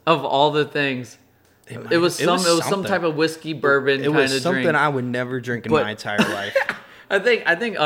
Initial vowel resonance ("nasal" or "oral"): oral